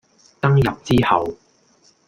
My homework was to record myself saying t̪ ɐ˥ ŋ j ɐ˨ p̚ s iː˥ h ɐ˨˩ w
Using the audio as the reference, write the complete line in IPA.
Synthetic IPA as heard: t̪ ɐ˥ ŋ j ɐ˨ p̚ t͡s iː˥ h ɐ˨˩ w

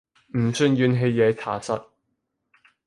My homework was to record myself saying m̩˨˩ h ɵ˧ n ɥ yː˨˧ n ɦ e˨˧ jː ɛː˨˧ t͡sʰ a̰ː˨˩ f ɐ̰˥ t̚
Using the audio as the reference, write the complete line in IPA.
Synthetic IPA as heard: m̩˨˩ s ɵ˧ n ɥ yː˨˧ n ɦ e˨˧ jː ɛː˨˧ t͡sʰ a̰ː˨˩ s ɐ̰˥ t̚

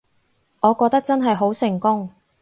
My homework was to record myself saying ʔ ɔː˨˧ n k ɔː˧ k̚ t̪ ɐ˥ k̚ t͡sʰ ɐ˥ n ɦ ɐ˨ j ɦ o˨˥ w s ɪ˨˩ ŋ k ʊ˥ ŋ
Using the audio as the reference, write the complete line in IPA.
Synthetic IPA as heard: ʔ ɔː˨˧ k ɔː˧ k̚ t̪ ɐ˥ k̚ t͡s ɐ˥ n ɦ ɐ˨ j ɦ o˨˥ w s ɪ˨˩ ŋ k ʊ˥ ŋ

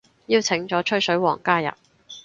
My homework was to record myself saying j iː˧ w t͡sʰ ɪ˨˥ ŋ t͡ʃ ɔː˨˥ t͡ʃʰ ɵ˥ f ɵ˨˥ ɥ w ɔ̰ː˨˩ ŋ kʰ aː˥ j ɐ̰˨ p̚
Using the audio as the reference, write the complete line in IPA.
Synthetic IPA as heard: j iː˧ w t͡sʰ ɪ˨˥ ŋ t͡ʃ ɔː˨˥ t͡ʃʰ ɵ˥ s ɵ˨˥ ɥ w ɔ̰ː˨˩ ŋ k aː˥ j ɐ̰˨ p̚

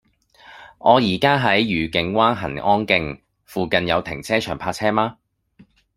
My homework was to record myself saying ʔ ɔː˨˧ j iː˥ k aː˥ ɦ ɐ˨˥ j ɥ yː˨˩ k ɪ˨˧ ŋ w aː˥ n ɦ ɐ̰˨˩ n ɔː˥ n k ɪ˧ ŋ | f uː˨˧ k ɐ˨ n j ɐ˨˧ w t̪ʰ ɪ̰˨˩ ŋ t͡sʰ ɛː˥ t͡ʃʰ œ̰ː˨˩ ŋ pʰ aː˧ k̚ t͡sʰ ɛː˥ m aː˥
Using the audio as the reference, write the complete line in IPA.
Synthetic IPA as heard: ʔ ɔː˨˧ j iː˨˩ k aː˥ ɦ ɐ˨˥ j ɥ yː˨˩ k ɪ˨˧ ŋ w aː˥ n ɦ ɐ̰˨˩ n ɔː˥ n k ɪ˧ ŋ | f uː˨˧ k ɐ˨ n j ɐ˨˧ w t̪ʰ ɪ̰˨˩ ŋ t͡sʰ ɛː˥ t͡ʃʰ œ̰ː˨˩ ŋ pʰ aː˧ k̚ t͡sʰ ɛː˥ m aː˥

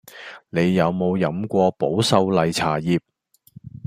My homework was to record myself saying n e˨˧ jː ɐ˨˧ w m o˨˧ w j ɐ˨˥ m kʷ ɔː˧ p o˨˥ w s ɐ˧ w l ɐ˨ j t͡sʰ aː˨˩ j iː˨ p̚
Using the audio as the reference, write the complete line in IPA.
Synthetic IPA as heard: n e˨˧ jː ɐ˨˧ w m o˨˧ w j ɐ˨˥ m kʷ ɔː˧ p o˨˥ w s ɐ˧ w l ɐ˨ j t͡sʰ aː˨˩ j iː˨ p̚

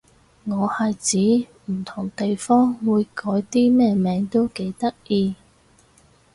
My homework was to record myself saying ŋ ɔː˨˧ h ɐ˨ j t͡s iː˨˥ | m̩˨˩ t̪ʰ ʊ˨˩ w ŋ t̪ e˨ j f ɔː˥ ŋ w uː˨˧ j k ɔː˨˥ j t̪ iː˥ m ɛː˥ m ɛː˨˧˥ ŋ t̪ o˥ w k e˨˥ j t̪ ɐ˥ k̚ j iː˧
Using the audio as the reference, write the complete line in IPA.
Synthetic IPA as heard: ŋ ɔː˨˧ h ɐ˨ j t͡s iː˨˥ | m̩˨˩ t̪ʰ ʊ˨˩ ŋ t̪ e˨ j f ɔː˥ ŋ w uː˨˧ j k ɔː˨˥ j t̪ iː˥ m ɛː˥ m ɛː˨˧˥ ŋ t̪ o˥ w k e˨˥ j t̪ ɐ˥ k̚ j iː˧

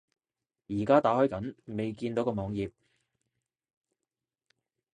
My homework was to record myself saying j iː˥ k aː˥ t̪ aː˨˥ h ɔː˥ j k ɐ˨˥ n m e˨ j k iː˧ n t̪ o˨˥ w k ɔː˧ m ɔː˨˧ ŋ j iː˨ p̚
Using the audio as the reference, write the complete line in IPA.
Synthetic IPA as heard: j iː˨˩ k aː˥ t̪ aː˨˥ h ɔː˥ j k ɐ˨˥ n m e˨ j k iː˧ n t̪ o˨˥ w k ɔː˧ m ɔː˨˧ ŋ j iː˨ p̚

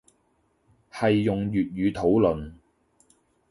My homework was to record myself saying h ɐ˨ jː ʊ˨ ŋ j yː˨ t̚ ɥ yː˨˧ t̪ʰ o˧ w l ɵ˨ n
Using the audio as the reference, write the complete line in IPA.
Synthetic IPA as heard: h ɐ˨ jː ʊ˨ ŋ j yː˨ t̚ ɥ yː˨˧ t̪ʰ o˨˥ w l ɵ˨ n

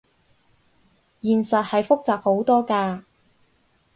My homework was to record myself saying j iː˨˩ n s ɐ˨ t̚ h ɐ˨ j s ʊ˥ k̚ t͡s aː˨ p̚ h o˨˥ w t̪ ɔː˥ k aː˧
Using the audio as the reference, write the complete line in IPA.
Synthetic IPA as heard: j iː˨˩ n s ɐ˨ t̚ h ɐ˨ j f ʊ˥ k̚ t͡s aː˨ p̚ h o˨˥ w t̪ ɔː˥ k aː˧

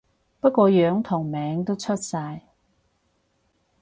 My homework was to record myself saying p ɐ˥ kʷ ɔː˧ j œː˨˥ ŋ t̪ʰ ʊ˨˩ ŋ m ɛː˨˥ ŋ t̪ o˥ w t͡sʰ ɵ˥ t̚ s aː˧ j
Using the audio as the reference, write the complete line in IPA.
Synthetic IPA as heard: p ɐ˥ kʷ ɔː˧ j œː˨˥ ŋ t̪ʰ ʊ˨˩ ŋ m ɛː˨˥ ŋ t̪ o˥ w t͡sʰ ɵ˥ t̚ s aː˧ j

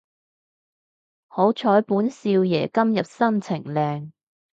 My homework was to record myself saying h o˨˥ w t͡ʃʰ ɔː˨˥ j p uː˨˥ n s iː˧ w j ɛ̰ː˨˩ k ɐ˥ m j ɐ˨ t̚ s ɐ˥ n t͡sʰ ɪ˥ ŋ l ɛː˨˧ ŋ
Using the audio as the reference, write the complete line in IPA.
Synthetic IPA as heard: h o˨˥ w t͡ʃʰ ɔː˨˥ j p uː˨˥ n s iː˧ w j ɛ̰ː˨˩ k ɐ˥ m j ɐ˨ p̚ s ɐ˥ n t͡sʰ ɪ˨˩ ŋ l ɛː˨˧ ŋ

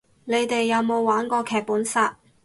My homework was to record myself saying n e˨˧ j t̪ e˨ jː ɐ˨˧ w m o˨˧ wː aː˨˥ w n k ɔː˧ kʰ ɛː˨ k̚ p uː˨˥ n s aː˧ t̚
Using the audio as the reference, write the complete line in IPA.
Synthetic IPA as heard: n e˨˧ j t̪ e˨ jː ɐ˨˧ w m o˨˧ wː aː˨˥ n k ɔː˧ kʰ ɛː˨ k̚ p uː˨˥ n s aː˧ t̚

